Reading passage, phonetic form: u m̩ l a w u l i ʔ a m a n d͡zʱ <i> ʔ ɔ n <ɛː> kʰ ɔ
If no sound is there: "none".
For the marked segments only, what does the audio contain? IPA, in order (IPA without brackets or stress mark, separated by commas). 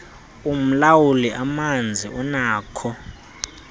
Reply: i, aː